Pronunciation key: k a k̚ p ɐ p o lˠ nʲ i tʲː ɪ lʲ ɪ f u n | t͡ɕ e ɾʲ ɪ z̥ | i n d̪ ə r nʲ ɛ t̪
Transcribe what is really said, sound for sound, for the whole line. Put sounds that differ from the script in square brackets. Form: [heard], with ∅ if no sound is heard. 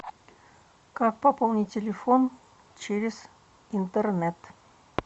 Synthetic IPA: k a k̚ p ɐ p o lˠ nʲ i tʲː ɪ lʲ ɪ f [o] n | t͡ɕ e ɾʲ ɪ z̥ | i n [t̪] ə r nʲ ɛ t̪